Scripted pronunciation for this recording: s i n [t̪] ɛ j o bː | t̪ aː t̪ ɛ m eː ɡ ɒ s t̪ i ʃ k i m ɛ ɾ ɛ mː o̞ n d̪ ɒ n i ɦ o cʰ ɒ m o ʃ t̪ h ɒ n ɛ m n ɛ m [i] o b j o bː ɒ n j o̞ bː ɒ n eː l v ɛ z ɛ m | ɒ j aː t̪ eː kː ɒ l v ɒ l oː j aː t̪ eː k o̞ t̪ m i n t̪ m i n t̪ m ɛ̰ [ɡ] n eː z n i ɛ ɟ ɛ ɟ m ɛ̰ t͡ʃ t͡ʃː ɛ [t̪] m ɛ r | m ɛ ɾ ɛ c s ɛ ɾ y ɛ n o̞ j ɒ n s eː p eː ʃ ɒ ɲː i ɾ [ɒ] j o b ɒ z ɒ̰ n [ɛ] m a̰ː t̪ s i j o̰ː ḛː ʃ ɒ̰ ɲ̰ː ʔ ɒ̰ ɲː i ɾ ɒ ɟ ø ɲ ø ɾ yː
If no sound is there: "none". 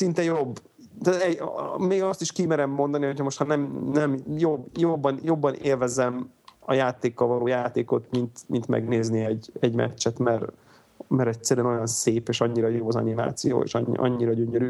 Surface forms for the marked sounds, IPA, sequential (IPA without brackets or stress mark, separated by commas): t̪, j, ɡ, t̪, ɒ, i